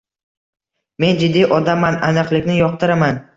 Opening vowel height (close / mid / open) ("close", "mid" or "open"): mid